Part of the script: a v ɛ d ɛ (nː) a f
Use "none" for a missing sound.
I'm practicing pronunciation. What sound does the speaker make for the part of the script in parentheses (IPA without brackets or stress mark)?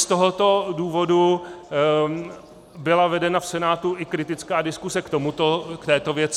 n